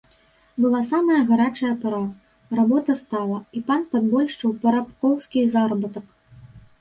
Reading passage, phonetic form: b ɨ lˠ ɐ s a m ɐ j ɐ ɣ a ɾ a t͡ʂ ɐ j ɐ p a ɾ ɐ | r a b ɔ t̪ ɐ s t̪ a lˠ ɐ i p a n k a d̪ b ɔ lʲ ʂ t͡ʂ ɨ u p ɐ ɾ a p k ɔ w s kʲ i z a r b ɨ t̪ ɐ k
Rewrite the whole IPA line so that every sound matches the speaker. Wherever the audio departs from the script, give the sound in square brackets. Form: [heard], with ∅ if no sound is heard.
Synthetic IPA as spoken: b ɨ lˠ [a] s a m ɐ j ɐ ɣ a ɾ a t͡ʂ ɐ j ɐ p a ɾ [a] | r a b ɔ t̪ ɐ s t̪ a lˠ ɐ i p a n [p] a d̪ b ɔ lʲ ʂ t͡ʂ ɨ [w] p ɐ ɾ a p k ɔ w s kʲ i z a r b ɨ t̪ ɐ k